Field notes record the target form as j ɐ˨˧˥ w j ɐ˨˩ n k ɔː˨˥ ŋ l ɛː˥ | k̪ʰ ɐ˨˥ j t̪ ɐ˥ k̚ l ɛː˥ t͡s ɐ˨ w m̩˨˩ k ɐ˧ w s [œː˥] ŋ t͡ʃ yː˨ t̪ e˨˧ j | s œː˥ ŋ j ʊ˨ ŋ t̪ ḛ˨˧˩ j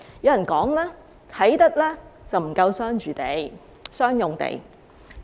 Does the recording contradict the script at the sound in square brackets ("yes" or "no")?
no